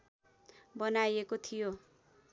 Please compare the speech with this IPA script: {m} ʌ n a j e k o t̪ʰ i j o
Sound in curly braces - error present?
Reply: yes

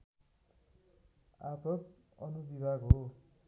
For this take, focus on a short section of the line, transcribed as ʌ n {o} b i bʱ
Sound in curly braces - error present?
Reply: yes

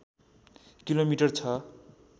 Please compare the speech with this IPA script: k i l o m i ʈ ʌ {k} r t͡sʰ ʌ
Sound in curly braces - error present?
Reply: yes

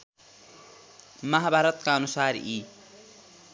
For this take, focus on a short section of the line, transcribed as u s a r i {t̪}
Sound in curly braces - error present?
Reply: yes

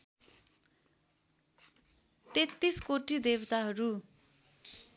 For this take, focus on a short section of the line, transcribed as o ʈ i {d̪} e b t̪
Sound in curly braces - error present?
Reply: no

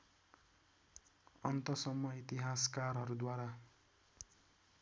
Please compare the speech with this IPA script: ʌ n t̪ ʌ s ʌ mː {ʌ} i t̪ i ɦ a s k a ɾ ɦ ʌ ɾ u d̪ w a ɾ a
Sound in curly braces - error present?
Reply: no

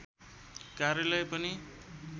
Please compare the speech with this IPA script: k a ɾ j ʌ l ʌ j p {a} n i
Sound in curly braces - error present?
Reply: yes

